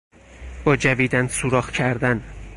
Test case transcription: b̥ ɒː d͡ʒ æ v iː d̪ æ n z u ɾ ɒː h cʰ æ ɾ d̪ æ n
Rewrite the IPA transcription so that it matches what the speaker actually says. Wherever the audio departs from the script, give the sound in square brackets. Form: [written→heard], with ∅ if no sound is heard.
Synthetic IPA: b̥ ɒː d͡ʒ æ v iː d̪ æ n [z→s] u ɾ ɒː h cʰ æ ɾ d̪ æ n